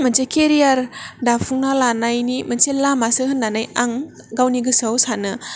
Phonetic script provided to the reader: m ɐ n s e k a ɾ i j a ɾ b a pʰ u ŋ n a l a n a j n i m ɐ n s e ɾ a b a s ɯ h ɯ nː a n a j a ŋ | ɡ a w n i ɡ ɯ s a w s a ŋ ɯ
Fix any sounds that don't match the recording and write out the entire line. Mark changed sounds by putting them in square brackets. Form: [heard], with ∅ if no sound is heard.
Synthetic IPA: m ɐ n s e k [e] ɾ i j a ɾ [d] a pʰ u ŋ n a l a n a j n i m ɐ n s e [l] a [m] a s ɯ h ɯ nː a n a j a ŋ | ɡ a w n i ɡ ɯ s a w s a [n] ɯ